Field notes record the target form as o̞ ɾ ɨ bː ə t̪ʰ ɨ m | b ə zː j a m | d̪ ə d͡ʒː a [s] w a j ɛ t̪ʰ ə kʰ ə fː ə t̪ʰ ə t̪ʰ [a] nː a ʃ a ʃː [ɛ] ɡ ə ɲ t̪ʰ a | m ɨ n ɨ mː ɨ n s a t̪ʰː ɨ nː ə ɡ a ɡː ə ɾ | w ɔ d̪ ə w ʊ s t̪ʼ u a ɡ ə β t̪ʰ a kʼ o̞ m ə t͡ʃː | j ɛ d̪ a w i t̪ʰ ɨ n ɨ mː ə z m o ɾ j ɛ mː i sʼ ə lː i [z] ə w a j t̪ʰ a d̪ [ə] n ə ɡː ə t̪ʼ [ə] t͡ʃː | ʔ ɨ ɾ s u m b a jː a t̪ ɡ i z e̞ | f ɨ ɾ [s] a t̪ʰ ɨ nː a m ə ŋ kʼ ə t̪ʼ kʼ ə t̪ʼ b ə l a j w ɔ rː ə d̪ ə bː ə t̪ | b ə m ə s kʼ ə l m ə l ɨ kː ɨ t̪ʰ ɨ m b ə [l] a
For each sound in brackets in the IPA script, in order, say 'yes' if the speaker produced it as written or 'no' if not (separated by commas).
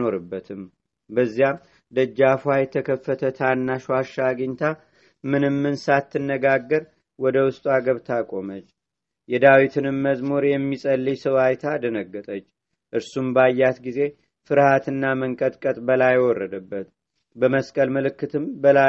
no, yes, no, no, yes, yes, no, yes